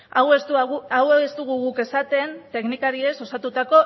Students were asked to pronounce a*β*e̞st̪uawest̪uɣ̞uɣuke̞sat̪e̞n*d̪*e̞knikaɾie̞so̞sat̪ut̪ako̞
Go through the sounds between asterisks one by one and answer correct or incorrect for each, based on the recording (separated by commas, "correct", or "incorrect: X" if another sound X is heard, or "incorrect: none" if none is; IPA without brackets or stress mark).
incorrect: w, incorrect: t̪